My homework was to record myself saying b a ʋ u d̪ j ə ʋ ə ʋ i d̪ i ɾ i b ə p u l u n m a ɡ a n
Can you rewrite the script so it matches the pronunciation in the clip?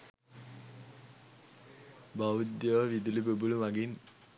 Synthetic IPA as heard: b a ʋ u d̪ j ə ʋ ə ʋ i d̪ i l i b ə b u l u m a ɡ i n

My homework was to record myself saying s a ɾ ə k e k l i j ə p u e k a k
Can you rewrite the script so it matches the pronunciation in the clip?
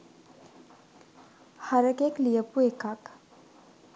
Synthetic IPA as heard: h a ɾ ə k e k l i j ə p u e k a k

